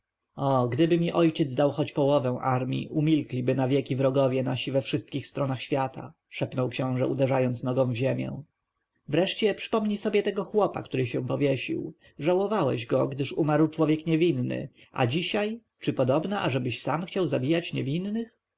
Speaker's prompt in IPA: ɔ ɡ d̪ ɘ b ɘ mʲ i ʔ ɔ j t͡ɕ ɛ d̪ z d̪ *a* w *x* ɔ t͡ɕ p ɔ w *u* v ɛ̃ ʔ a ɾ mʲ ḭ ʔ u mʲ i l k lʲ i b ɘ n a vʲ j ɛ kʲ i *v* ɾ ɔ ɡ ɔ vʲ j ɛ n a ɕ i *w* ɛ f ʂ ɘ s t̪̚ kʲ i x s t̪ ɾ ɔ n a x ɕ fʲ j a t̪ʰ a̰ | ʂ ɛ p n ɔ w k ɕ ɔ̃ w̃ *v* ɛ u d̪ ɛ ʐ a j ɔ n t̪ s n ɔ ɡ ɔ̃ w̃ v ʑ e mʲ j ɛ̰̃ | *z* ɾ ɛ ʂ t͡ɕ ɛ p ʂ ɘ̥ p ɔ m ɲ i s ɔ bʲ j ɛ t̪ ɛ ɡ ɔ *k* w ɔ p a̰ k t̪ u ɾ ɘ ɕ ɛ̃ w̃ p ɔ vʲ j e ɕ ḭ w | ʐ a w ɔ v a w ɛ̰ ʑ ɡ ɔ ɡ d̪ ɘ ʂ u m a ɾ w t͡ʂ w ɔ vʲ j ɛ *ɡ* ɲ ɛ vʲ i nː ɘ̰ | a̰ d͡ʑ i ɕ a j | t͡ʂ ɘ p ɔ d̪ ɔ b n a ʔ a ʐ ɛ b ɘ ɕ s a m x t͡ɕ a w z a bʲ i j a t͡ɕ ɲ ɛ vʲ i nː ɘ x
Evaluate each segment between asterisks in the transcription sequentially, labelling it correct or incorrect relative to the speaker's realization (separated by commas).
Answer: correct, correct, incorrect, correct, incorrect, incorrect, incorrect, incorrect, incorrect